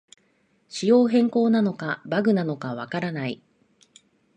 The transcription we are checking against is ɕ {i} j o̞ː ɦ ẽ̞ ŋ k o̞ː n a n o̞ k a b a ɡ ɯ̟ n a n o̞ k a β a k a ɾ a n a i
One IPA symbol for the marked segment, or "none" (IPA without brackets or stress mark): i